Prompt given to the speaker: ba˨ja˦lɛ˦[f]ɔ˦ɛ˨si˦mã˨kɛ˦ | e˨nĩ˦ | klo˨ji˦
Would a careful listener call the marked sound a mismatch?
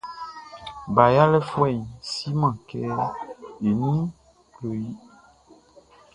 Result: no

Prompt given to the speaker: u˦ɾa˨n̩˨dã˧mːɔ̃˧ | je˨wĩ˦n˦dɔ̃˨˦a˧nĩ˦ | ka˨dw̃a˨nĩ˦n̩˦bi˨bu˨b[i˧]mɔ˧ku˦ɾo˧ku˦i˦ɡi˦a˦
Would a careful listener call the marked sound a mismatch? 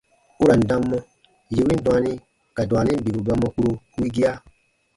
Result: yes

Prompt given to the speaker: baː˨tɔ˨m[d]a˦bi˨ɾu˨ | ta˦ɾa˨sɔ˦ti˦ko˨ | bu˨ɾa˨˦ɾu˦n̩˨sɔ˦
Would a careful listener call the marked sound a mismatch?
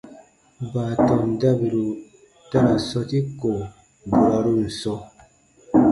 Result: no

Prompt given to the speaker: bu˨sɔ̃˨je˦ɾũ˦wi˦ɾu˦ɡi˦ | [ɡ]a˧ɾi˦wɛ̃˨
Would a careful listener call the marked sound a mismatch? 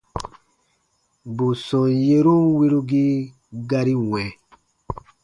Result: no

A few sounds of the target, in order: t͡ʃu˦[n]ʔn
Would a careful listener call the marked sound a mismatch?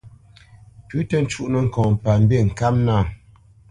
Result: yes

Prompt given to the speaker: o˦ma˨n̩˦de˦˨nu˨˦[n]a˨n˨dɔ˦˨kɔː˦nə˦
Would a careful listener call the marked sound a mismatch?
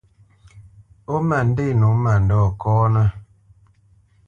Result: yes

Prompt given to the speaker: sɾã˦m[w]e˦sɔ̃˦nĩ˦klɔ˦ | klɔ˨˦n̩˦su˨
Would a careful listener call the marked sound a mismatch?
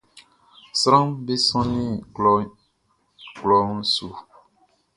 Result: yes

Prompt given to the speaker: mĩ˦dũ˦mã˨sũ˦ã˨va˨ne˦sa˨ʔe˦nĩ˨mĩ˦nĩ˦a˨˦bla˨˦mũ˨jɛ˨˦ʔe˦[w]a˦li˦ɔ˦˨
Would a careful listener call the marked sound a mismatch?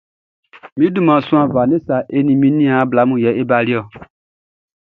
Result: yes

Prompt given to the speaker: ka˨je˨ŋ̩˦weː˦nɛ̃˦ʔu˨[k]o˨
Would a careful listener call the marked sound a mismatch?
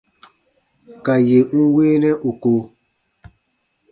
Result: no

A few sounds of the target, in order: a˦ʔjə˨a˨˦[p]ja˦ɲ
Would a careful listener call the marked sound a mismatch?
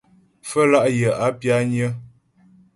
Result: no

